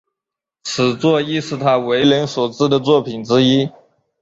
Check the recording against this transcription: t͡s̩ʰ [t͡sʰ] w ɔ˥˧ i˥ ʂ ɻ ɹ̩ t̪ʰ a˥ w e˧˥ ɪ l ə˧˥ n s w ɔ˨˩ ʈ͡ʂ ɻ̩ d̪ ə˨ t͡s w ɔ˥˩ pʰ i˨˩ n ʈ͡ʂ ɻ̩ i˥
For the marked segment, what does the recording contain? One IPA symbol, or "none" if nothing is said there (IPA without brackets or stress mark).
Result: t͡s